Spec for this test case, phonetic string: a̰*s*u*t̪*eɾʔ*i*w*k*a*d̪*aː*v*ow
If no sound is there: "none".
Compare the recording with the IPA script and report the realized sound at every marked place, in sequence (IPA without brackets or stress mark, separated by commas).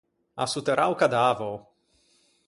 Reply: s, t̪, a, k, d̪, v